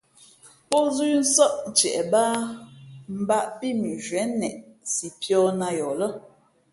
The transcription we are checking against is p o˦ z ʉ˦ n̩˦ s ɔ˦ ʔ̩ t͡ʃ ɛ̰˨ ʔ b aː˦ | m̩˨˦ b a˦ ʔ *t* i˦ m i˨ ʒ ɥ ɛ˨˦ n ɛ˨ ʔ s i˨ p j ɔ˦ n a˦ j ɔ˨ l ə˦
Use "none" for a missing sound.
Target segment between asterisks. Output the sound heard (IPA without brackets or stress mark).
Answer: p